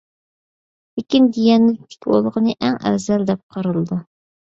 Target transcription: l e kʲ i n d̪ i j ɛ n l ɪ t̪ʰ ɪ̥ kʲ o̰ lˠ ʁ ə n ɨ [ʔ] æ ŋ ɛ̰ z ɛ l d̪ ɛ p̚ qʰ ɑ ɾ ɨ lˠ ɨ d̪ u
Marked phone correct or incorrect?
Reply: correct